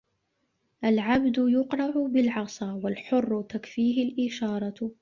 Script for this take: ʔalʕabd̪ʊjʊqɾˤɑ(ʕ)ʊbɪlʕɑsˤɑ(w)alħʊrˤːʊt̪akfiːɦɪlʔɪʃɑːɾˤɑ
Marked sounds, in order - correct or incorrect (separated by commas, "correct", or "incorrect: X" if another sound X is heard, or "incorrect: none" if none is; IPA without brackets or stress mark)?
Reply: correct, correct